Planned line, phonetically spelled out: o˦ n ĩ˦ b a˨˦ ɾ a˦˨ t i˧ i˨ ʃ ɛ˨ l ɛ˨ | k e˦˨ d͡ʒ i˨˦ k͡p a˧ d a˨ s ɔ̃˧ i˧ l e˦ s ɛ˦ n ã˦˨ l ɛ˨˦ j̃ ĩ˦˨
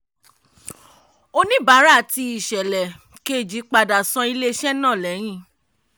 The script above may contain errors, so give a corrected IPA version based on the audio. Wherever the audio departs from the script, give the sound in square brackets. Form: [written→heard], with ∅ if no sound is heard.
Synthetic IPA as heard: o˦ n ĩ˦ b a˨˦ ɾ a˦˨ t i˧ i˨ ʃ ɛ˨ l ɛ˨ | k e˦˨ d͡ʒ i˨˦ k͡p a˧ d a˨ s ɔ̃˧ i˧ l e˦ [s→ʃ] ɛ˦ n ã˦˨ l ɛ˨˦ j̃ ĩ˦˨